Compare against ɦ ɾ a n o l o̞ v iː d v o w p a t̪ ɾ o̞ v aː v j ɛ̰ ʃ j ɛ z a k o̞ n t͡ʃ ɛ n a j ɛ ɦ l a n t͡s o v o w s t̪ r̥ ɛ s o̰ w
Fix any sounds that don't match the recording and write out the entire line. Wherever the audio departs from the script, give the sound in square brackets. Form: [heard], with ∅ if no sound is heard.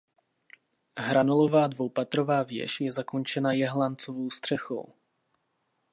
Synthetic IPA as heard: ɦ ɾ a n o l o̞ v [aː] d v o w p a t̪ ɾ o̞ v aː v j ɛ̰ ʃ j ɛ z a k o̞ n t͡ʃ ɛ n a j ɛ ɦ l a n t͡s o v o w s t̪ r̥ ɛ [x] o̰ w